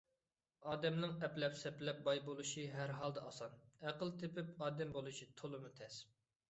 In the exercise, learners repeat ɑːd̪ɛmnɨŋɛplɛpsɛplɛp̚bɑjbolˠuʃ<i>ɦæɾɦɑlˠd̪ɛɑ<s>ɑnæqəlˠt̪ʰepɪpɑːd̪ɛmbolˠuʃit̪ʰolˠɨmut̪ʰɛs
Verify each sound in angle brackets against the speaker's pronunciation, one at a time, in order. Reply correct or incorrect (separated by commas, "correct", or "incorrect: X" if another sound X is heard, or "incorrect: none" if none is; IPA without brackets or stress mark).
correct, correct